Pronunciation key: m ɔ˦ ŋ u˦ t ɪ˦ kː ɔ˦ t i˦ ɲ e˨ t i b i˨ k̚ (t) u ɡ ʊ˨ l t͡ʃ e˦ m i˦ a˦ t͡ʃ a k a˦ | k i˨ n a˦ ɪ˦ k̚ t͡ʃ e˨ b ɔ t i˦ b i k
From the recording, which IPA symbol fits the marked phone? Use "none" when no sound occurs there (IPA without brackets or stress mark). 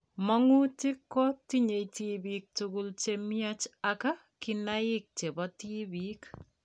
t